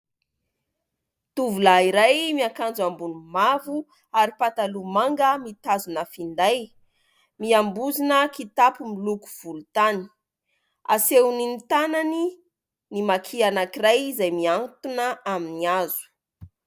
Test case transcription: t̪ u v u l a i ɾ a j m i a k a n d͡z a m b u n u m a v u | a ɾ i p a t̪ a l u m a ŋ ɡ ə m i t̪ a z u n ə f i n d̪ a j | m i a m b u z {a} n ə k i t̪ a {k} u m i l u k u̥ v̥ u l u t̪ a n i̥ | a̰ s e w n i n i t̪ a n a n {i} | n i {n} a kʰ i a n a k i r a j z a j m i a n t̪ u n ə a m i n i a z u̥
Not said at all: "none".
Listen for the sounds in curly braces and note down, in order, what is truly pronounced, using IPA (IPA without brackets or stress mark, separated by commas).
i, p, i, m